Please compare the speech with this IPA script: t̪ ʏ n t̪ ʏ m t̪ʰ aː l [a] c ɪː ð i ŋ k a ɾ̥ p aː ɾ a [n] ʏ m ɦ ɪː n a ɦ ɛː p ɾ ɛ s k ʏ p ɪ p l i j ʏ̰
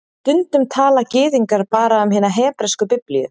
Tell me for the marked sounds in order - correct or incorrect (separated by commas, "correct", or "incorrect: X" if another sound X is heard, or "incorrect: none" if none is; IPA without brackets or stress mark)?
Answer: correct, incorrect: none